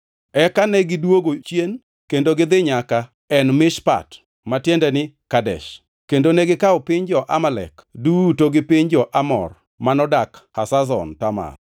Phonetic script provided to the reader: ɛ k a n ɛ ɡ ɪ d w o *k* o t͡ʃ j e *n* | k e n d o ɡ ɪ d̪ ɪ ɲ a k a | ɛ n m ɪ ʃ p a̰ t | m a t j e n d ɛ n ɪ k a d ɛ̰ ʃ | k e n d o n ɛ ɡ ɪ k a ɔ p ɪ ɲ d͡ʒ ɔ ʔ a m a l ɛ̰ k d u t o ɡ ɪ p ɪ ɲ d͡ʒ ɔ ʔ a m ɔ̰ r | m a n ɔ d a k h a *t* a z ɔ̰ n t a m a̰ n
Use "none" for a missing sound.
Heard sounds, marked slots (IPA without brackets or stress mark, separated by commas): ɡ, n, s